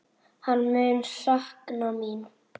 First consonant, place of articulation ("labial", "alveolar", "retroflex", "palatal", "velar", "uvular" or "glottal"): glottal